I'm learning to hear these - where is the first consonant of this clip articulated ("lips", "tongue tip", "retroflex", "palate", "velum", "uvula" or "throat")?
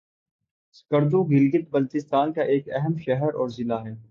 tongue tip